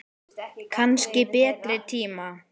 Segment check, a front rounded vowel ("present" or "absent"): absent